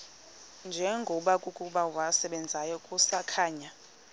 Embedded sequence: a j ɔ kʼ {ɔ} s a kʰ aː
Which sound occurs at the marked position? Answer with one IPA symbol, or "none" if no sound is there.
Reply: u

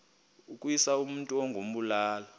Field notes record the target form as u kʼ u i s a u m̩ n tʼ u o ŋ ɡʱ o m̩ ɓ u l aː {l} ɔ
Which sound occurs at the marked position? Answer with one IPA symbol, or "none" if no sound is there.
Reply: l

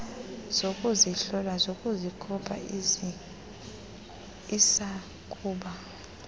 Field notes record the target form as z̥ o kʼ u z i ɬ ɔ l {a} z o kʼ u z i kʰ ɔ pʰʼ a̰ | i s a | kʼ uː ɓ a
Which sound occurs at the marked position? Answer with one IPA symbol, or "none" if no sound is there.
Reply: a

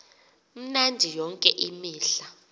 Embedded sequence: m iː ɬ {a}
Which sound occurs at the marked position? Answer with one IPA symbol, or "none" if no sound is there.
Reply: a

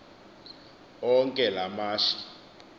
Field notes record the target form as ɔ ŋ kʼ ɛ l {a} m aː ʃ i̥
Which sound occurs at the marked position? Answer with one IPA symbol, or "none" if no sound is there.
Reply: a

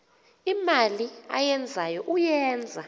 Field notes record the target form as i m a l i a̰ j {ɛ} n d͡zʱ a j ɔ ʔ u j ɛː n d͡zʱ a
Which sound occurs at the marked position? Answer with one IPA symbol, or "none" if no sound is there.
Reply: ɛ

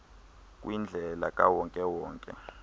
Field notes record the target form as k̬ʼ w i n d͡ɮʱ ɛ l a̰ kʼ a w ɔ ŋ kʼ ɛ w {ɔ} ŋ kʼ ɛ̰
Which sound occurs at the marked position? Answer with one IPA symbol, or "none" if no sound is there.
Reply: ɔː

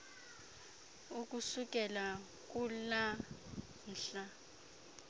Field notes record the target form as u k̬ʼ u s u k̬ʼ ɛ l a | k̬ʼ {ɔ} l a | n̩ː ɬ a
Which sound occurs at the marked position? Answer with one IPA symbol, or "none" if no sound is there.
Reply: u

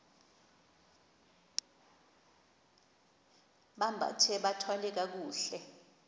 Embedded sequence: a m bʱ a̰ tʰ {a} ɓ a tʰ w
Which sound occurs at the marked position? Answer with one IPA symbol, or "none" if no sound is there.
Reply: ɛ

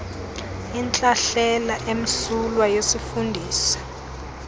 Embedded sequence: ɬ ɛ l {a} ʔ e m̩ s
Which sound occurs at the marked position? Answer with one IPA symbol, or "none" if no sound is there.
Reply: a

